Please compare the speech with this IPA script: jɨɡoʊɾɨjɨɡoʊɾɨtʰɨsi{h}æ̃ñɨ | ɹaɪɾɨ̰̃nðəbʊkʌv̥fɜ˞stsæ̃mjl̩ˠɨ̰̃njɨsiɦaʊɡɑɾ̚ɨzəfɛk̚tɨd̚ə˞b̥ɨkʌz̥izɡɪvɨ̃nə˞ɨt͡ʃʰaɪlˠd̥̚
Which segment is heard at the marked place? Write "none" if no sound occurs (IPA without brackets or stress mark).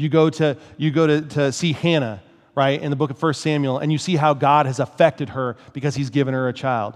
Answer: h